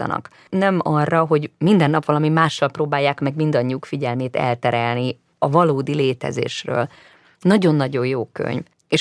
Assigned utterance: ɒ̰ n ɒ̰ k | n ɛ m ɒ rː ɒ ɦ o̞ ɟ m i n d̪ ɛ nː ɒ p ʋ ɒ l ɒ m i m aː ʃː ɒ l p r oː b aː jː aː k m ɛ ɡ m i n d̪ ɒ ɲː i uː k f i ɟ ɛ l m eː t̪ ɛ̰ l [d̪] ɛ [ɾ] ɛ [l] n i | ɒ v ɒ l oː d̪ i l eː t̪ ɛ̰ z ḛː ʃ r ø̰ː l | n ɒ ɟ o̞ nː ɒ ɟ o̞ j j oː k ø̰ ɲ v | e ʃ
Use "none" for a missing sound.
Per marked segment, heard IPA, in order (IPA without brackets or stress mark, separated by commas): t̪, ɾ, l